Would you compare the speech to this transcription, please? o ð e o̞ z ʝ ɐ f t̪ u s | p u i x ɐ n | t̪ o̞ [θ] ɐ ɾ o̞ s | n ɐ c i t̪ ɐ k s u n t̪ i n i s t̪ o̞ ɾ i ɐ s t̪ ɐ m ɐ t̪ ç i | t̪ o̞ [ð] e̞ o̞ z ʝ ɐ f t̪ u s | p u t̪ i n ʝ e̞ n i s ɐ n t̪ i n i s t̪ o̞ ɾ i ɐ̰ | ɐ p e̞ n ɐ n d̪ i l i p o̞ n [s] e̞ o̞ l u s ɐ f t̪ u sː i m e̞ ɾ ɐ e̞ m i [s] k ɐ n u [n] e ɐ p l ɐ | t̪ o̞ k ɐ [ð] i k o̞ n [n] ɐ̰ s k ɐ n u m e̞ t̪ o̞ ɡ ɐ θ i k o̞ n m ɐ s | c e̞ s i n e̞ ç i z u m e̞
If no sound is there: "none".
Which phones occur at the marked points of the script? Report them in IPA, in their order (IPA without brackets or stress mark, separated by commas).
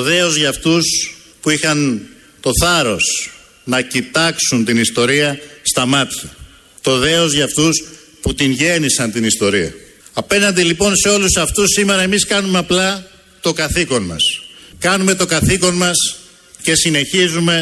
θ, ð, s, s, m, θ, m